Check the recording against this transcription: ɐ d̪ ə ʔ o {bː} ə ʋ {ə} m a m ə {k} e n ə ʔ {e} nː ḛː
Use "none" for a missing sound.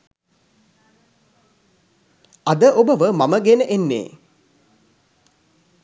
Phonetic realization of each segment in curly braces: b, ə, ɡ, e

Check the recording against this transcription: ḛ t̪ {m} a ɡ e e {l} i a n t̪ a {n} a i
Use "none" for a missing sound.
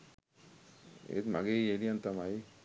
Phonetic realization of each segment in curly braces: m, l, m

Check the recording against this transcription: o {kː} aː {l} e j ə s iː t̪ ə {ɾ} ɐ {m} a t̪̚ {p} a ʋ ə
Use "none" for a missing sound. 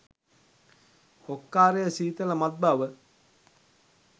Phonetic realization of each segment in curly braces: kː, ɾ, l, m, b

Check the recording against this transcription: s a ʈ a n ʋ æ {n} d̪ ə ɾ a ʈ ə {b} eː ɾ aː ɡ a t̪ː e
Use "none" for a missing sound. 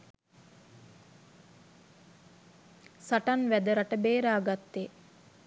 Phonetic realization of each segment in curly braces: none, b

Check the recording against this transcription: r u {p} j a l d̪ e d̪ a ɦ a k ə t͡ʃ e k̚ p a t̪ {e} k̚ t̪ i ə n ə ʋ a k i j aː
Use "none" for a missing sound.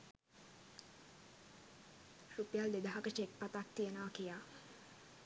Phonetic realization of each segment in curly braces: p, a

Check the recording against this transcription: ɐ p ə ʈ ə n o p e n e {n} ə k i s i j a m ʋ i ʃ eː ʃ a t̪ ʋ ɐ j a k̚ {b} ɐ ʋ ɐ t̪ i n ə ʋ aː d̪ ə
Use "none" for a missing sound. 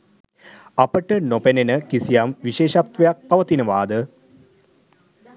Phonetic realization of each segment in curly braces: n, p

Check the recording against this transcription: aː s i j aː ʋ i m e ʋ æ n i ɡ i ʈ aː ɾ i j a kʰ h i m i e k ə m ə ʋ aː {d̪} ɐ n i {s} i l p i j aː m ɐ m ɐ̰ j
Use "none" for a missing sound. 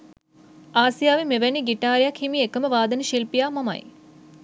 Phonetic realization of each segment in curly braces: d̪, ʃ

